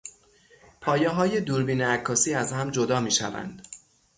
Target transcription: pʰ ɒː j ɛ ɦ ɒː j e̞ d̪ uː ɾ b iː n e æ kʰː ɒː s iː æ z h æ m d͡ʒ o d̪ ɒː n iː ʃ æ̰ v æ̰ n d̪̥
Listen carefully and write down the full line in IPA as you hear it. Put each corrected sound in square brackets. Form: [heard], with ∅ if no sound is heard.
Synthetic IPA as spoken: pʰ ɒː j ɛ ɦ ɒː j e̞ d̪ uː ɾ b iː n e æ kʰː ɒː s iː æ z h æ m d͡ʒ o d̪ ɒː [m] iː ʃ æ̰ v æ̰ n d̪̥